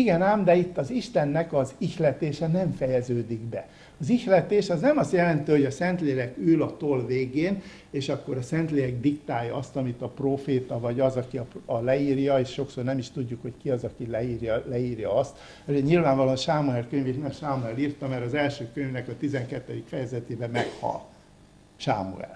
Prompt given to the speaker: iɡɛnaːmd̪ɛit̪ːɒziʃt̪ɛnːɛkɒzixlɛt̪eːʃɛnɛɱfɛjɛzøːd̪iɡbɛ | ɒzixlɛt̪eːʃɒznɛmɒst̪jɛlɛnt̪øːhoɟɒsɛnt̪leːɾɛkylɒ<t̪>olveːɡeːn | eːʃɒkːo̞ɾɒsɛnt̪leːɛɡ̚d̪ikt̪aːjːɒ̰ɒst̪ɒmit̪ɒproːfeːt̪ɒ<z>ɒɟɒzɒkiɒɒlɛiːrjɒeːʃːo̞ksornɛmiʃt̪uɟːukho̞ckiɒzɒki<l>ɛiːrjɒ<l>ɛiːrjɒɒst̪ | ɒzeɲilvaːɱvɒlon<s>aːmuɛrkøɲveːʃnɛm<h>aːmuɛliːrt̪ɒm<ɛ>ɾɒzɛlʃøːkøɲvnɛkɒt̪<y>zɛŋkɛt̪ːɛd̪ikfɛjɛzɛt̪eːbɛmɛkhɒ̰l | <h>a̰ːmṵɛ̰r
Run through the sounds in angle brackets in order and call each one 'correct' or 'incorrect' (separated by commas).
correct, incorrect, correct, correct, incorrect, incorrect, correct, incorrect, incorrect